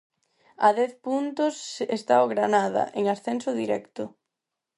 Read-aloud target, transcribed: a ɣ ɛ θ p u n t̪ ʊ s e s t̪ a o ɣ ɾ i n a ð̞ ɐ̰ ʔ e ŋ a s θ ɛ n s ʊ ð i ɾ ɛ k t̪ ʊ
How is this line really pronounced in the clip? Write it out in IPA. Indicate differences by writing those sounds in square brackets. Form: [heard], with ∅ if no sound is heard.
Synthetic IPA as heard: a [ð] ɛ θ p u n t̪ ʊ s e s t̪ a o ɣ ɾ [a] n a ð̞ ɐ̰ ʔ e ŋ a s θ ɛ n s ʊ ð i ɾ ɛ k t̪ ʊ